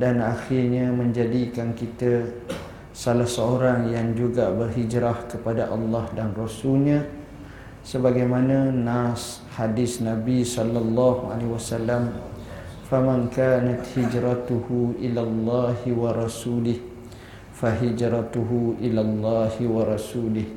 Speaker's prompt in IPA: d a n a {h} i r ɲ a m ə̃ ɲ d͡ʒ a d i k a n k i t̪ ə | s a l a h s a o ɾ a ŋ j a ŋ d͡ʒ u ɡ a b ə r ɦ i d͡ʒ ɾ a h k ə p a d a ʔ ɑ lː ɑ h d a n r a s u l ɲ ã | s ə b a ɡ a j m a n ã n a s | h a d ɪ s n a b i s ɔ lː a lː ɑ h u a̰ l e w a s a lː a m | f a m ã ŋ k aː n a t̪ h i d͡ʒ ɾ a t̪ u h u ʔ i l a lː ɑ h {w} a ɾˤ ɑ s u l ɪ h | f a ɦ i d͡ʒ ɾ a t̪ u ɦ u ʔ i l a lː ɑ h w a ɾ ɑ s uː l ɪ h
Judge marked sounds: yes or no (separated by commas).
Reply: no, yes